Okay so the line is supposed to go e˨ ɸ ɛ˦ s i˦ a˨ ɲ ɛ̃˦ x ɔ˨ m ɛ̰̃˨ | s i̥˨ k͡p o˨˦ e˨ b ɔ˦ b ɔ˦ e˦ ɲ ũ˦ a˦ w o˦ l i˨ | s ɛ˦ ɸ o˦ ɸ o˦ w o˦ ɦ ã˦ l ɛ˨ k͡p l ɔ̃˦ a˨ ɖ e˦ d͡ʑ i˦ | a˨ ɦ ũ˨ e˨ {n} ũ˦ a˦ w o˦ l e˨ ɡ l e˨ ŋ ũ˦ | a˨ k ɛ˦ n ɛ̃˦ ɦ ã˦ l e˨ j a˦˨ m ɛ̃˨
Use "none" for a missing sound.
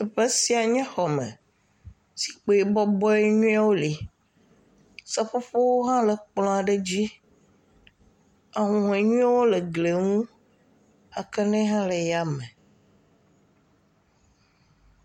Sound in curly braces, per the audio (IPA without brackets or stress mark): ɲ